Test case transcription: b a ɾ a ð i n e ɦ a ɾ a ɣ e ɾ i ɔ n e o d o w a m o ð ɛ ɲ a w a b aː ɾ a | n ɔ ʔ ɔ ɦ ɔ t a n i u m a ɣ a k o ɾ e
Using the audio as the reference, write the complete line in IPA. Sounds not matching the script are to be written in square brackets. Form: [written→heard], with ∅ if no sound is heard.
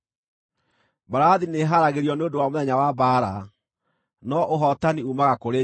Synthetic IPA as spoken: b a ɾ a ð i n e ɦ a ɾ a ɣ e ɾ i ɔ n e o d o w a m o ð ɛ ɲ a w a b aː ɾ a | n ɔ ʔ [ɔ→o] ɦ ɔ t a n i u m a ɣ a k o ɾ e